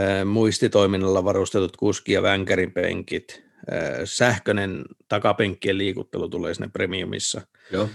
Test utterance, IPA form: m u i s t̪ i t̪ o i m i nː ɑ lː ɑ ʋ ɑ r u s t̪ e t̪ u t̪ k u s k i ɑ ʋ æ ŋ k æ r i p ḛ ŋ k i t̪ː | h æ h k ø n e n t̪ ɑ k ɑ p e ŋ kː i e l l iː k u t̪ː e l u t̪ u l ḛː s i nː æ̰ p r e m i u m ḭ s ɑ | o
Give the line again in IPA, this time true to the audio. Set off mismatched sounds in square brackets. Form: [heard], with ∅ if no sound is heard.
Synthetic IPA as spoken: m u i s t̪ i t̪ o i m i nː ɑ lː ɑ ʋ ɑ r u s t̪ e t̪ u t̪ k u s k i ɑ ʋ æ ŋ k æ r i p ḛ ŋ k i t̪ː | [s] æ h k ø n e n t̪ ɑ k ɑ p e ŋ kː i e l l iː k u t̪ː e l u t̪ u l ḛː s i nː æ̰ p r e m i u m ḭ [sː] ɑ | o